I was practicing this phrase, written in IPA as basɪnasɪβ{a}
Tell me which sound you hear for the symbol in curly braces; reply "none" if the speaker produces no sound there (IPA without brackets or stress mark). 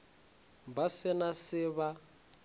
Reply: a